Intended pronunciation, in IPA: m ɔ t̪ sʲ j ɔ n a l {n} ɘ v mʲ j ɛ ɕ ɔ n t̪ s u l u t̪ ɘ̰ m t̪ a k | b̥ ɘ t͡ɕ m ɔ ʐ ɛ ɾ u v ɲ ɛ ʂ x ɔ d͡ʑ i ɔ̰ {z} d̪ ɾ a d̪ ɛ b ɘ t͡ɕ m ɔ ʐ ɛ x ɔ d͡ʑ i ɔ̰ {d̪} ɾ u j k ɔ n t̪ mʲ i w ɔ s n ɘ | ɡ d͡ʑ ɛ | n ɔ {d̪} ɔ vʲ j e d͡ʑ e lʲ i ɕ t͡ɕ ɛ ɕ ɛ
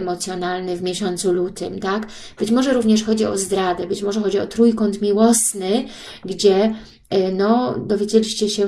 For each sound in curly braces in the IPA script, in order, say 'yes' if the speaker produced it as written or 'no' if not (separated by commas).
yes, yes, no, yes